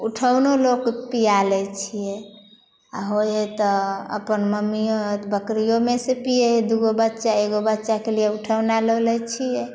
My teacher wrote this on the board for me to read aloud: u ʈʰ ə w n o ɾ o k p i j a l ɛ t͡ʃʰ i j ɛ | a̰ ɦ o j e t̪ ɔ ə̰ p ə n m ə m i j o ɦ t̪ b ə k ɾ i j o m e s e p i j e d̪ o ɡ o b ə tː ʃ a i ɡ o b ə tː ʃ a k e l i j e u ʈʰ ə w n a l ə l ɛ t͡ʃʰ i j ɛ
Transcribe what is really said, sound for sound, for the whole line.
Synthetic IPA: u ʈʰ ə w n o l o k p i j a l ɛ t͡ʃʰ i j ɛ | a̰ ɦ o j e t̪ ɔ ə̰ p ə n m ə m i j o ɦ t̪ b ə k ɾ i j o m e s e p i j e d̪ u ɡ o b ə tː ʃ a e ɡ o b ə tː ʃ a k e l i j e u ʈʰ ə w n a l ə l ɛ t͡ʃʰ i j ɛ